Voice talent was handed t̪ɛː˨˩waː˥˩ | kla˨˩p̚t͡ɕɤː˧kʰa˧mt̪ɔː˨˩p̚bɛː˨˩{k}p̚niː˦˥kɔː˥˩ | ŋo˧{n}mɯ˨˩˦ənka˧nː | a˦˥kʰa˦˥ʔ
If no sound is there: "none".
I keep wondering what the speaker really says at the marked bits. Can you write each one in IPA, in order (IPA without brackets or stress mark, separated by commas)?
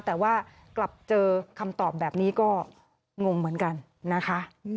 none, ŋ